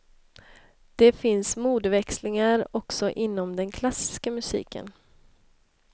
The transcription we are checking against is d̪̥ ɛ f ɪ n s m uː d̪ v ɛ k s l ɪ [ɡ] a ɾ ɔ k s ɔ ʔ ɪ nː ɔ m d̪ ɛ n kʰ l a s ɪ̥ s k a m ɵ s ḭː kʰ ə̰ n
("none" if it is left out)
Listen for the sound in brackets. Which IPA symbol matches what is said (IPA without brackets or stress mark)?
ŋ